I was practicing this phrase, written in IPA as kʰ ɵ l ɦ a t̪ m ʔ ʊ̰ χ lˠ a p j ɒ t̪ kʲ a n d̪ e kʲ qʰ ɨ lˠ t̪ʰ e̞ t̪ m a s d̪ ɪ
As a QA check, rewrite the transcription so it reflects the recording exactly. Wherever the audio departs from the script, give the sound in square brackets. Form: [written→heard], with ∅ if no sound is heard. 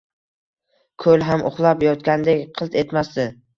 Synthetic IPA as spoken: kʰ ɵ l ɦ a [t̪→∅] m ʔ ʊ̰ χ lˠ a p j ɒ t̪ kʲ a n d̪ e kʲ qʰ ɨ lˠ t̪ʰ e̞ t̪ m a s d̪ ɪ